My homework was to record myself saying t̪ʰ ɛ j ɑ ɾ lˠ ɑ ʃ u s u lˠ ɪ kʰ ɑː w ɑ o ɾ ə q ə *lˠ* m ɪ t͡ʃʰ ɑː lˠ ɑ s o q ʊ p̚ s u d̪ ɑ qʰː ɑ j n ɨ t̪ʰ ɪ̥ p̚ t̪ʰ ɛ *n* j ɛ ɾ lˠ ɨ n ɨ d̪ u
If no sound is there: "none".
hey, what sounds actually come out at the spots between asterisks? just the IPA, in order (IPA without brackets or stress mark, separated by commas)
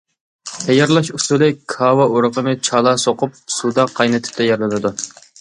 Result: none, none